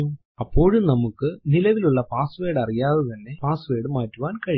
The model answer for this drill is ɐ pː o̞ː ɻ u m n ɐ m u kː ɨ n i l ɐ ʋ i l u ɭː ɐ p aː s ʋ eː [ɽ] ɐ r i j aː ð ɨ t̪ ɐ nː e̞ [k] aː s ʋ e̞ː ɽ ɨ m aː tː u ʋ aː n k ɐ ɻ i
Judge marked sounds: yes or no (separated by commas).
yes, no